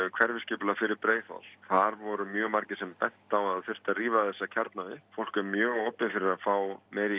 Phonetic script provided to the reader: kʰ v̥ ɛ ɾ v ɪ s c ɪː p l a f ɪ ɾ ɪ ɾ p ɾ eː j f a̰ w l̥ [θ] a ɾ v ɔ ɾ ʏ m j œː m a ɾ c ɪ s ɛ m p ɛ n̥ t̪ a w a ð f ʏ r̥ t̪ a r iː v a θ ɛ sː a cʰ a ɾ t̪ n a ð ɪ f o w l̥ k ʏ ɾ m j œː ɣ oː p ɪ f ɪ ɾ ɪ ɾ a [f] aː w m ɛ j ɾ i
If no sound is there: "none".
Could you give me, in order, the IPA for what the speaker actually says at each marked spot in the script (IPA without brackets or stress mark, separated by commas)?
θ, f